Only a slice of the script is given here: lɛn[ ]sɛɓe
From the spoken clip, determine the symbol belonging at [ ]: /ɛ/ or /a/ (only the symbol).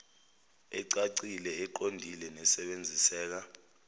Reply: ɛ